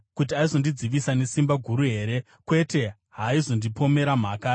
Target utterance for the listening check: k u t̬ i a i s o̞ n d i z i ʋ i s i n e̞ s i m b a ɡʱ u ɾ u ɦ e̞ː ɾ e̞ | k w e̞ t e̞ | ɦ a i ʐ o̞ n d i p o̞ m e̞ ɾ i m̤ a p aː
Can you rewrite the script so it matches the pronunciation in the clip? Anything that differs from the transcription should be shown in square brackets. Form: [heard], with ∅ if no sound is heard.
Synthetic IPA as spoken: k u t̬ i a i [z] o̞ n d i [d͡z] i ʋ i s [a] n e̞ s i m b a ɡʱ u ɾ u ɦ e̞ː ɾ e̞ | k w e̞ t e̞ | ɦ a i [z] o̞ n d i p o̞ m e̞ ɾ [a] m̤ a [k] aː